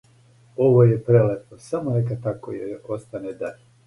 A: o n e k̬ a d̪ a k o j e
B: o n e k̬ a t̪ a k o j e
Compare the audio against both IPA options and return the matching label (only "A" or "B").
B